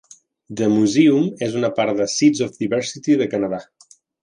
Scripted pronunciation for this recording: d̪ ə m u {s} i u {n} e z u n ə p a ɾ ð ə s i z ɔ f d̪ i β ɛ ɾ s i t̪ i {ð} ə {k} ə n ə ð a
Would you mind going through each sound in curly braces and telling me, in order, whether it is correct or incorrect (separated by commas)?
incorrect, incorrect, correct, correct